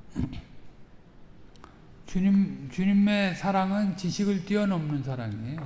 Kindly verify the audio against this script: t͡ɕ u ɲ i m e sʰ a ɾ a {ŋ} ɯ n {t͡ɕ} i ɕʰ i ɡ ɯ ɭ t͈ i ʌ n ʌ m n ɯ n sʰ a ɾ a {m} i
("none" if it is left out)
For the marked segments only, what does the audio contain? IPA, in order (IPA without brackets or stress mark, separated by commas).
ŋ, t͡ɕ, ŋ